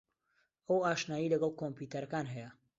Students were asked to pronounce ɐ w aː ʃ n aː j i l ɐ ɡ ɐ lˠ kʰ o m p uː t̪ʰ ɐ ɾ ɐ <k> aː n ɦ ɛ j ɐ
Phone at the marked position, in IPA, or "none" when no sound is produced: k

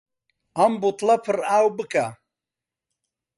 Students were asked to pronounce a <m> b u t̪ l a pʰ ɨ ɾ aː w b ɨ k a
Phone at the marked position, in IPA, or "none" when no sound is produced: m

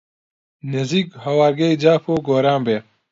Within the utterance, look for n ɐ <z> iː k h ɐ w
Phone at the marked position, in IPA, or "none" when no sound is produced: z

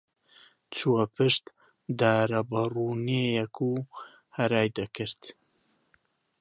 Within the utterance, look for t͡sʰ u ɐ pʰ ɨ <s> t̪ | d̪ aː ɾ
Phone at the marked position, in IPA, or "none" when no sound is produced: ʃ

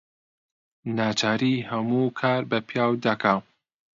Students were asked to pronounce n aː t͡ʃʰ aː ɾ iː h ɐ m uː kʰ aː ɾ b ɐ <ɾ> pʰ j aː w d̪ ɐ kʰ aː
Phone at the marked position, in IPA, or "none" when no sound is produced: none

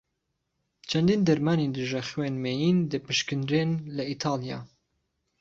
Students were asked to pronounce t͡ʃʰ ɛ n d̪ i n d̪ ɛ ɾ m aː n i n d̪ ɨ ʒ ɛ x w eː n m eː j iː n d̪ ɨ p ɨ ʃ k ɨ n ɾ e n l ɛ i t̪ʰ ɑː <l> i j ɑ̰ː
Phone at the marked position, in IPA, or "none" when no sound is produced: l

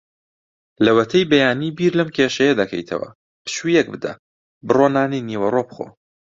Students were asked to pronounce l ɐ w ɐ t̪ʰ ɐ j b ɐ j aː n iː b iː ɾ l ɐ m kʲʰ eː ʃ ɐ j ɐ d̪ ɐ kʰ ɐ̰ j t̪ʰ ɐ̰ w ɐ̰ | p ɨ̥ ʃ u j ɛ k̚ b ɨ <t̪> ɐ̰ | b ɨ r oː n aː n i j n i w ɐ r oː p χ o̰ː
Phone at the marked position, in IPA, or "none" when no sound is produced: d̪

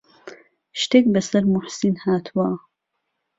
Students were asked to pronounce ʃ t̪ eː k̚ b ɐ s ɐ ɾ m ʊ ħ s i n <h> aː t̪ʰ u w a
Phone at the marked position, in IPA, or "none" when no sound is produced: h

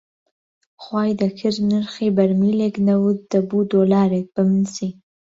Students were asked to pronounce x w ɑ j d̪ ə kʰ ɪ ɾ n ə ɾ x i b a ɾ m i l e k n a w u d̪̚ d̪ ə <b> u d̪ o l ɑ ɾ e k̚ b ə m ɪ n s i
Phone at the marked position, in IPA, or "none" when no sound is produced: b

